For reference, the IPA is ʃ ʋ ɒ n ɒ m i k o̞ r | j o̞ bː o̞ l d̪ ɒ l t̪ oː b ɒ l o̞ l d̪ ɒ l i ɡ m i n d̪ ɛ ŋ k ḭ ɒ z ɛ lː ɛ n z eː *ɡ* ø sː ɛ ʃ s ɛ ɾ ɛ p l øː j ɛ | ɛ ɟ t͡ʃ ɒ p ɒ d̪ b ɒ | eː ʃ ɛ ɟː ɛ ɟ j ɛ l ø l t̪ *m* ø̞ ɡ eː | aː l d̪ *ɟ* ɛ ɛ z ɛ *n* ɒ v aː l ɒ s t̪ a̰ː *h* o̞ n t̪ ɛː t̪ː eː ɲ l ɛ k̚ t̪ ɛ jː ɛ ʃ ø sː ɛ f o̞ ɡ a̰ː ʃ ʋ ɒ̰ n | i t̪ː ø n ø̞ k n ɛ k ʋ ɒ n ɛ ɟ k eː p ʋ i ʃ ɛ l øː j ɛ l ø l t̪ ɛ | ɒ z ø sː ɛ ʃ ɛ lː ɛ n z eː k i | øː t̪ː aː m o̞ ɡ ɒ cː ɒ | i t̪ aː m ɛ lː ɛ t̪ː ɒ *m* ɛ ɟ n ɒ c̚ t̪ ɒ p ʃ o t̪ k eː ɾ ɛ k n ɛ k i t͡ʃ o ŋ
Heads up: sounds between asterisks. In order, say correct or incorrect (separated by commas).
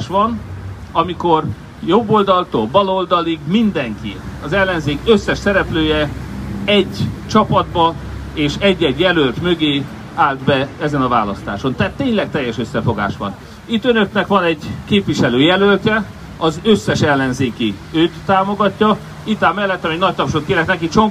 incorrect, correct, incorrect, correct, incorrect, correct